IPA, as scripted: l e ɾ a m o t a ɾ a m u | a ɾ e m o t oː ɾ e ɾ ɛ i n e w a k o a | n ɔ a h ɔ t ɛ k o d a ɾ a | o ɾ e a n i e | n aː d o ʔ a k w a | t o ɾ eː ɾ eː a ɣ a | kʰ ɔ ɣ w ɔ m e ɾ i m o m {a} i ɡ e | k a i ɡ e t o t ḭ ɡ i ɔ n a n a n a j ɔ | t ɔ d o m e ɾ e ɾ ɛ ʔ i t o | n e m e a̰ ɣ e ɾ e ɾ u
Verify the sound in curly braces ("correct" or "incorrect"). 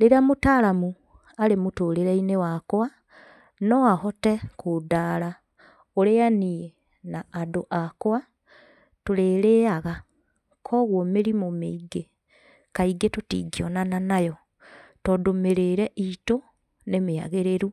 incorrect